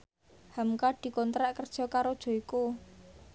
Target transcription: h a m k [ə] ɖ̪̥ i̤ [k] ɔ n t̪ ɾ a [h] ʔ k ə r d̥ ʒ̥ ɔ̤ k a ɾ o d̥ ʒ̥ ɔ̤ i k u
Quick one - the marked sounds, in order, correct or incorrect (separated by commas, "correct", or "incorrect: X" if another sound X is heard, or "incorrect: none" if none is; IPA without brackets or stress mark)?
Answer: incorrect: a, correct, incorrect: none